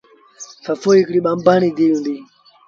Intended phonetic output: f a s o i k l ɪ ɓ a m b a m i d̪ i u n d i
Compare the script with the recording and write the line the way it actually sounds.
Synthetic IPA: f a f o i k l i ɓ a m b a n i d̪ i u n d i